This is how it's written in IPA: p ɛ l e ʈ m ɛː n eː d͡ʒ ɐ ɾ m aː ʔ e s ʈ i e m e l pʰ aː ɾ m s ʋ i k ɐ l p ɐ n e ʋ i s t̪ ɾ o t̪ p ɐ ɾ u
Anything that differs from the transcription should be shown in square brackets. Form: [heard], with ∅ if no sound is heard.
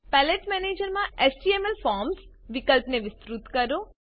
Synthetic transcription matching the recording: p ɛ l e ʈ m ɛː n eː d͡ʒ ɐ ɾ m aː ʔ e s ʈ i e m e l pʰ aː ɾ m s ʋ i k ɐ l p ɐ n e ʋ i s t̪ ɾ [u] t̪ [k] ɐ ɾ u